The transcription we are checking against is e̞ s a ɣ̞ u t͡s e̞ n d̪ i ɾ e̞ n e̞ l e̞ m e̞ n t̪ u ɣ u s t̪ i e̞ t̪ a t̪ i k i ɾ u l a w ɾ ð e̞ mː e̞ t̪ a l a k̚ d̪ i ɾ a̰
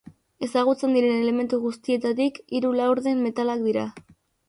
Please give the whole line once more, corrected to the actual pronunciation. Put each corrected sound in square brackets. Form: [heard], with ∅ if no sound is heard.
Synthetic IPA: e̞ s a ɣ̞ u t͡s e̞ n d̪ i ɾ e̞ n e̞ l e̞ m e̞ n t̪ u ɣ u s t̪ i e̞ t̪ a t̪ i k i ɾ u l a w ɾ ð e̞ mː e̞ t̪ a l a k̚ d̪ i ɾ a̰